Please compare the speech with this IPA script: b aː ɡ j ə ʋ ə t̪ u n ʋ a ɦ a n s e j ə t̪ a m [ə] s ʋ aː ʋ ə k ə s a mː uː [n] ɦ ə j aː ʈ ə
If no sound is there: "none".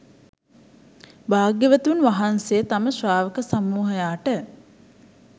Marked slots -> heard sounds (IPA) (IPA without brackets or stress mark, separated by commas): ə, none